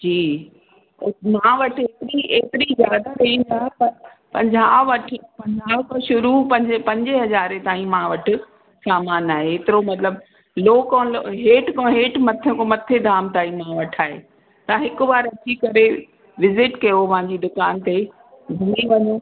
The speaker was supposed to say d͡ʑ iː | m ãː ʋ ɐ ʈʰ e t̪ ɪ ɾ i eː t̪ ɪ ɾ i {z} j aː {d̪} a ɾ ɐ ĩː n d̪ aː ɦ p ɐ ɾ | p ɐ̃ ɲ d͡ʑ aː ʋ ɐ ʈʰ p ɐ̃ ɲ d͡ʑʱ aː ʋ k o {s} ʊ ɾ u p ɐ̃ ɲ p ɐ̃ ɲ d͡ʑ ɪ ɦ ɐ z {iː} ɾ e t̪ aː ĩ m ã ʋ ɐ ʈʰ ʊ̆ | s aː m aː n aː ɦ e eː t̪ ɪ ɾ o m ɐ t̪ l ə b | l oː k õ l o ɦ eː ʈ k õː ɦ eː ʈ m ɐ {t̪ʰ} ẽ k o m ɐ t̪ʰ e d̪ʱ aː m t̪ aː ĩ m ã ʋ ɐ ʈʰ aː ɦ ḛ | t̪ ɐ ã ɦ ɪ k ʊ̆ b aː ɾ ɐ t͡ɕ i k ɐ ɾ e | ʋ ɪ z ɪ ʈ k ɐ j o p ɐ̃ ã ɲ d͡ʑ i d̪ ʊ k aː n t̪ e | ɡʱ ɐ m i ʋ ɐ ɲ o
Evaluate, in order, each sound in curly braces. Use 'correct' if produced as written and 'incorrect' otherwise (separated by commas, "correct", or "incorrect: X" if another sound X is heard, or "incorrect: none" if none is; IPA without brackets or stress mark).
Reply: correct, correct, incorrect: ʃ, incorrect: aː, correct